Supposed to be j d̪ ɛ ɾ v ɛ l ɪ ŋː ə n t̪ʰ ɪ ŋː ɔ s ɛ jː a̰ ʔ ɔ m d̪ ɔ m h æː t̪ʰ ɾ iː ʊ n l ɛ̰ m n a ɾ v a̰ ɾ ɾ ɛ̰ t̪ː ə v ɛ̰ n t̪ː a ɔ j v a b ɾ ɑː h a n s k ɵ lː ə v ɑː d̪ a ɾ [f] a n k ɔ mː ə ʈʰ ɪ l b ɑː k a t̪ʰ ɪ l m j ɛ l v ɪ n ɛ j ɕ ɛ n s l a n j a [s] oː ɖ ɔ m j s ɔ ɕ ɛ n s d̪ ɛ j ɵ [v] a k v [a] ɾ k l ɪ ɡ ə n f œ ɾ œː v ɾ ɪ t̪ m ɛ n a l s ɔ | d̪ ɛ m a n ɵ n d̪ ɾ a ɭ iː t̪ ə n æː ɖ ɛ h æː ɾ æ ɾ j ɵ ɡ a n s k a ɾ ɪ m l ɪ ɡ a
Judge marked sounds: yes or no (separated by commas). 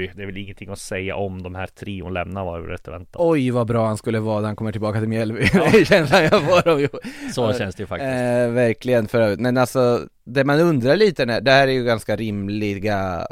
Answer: no, no, no, no